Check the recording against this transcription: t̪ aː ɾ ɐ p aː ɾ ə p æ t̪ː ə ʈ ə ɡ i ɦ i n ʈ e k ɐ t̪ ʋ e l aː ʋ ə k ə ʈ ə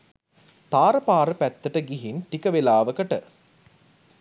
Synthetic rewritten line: t̪ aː ɾ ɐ p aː ɾ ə p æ t̪ː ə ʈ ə ɡ i ɦ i n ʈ i k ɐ ʋ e l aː ʋ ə k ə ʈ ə